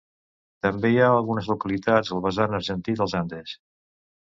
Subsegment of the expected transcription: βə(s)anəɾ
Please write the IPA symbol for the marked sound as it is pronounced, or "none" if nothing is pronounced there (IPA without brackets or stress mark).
z